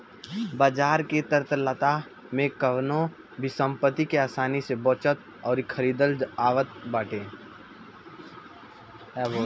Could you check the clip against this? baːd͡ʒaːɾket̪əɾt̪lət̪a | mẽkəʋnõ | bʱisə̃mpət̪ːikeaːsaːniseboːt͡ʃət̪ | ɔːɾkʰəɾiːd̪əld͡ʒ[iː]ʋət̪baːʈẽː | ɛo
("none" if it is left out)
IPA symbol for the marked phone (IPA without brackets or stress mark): aː